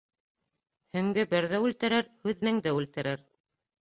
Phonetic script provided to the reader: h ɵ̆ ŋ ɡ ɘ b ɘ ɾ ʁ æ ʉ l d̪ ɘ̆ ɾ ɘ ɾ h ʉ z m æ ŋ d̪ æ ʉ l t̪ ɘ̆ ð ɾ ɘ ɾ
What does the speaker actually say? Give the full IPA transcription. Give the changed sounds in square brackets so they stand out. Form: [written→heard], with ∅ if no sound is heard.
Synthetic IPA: h ɵ̆ ŋ ɡ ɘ b ɘ ɾ [ʁ→ð] æ ʉ l [d̪→t̪] ɘ̆ ɾ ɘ ɾ h ʉ [z→ð] m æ ŋ d̪ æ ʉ l t̪ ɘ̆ [ð→∅] ɾ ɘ ɾ